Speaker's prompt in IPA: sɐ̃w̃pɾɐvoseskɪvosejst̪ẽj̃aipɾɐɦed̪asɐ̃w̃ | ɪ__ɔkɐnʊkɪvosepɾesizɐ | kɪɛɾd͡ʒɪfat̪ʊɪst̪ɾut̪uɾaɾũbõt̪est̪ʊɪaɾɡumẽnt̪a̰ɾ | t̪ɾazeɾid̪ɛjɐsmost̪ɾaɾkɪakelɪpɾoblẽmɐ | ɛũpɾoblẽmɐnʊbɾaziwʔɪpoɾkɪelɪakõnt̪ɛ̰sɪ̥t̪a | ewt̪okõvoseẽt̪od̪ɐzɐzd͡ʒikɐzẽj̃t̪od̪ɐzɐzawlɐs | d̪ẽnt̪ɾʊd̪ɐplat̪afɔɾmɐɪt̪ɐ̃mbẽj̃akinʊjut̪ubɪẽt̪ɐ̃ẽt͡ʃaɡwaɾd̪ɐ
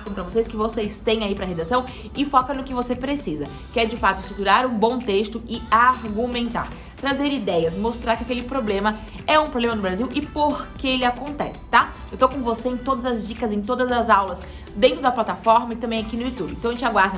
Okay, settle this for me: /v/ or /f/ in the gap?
f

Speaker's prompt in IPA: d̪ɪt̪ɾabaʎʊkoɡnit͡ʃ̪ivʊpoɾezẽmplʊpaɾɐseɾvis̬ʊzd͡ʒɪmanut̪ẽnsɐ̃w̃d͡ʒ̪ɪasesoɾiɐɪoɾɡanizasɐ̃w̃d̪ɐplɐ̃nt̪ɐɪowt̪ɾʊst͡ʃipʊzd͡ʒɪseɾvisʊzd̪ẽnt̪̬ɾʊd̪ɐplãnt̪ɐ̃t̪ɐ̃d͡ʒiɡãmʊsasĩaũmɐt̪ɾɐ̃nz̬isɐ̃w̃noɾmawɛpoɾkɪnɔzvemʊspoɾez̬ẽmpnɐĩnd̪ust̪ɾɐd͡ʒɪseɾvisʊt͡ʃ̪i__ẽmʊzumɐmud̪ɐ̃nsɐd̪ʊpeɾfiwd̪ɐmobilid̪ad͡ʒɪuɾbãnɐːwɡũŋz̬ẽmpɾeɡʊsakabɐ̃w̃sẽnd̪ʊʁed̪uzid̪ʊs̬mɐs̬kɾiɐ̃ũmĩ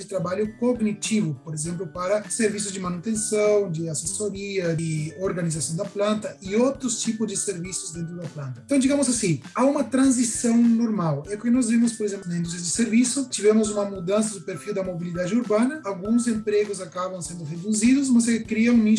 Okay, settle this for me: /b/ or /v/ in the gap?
v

